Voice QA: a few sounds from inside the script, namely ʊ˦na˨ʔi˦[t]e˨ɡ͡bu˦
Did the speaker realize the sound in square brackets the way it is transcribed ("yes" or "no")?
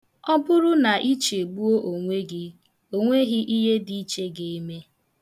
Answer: no